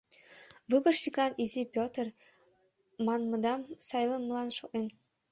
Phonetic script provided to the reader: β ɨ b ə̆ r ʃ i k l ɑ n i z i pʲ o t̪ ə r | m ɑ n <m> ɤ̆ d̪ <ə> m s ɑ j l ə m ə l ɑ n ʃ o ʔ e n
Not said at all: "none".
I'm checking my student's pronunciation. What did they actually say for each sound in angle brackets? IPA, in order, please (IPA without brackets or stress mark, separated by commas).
m, ɑ